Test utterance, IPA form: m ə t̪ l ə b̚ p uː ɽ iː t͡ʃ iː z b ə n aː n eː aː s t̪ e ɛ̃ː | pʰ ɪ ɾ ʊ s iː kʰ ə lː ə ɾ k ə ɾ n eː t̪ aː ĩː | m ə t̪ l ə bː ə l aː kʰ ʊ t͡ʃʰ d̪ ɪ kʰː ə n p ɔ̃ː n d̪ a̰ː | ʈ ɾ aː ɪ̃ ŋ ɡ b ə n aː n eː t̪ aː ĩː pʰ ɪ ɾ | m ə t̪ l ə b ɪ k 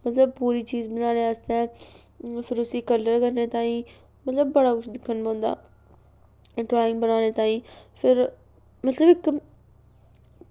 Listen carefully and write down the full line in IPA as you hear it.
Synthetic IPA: m ə t̪ l ə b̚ p uː ɾ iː t͡ʃ iː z b ə n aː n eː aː s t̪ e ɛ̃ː | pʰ ɪ ɾ ʊ s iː k ə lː ə ɾ k ə ɾ n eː t̪ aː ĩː | m ə t̪ l ə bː ə ɽ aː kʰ ʊ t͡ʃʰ d̪ ɪ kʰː ə n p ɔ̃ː n d̪ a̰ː | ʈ ɾ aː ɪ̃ ŋ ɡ b ə n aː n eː t̪ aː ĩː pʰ ɪ ɾ | m ə t̪ l ə b ɪ k